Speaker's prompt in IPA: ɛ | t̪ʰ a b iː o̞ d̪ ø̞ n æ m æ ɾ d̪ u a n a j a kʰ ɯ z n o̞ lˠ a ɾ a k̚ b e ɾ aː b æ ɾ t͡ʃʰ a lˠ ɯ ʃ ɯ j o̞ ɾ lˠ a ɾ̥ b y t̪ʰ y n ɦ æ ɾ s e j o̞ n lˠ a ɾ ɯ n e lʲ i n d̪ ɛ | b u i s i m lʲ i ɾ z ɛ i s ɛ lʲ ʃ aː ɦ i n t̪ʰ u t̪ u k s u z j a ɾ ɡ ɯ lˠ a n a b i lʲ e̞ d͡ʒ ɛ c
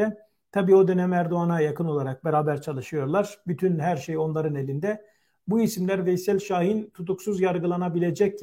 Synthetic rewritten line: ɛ | t̪ʰ a b iː o̞ d̪ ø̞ n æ m æ ɾ d̪ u a n a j a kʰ ɯ n o̞ lˠ a ɾ a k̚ b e ɾ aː b æ ɾ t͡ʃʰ a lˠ ɯ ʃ ɯ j o̞ ɾ lˠ a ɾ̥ b y t̪ʰ y n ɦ æ ɾ ʃ e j o̞ n lˠ a ɾ ɯ n e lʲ i n d̪ ɛ | b u i s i m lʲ æ ɾ v ɛ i s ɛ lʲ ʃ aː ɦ i n t̪ʰ u t̪ u k s u z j a ɾ ɡ ɯ lˠ a n a b i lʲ e̞ d͡ʒ ɛ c